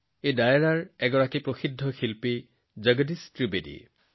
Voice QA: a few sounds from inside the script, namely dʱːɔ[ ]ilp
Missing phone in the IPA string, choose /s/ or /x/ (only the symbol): x